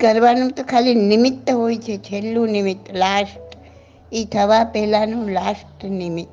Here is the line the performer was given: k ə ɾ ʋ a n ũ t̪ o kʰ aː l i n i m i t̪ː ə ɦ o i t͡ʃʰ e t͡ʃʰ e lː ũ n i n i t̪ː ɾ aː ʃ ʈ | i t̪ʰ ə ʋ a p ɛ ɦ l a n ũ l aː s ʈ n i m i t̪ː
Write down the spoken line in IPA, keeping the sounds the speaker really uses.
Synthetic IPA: k ə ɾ ʋ a n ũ t̪ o kʰ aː l i n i m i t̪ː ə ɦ o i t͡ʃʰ e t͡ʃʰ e lː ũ n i m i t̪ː l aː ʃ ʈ | i t̪ʰ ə ʋ a p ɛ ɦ l a n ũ l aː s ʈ n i m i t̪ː